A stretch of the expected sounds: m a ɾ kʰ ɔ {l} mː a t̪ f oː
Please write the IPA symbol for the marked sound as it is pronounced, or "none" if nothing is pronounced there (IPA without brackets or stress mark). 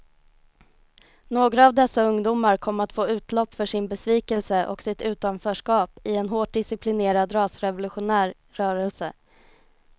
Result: none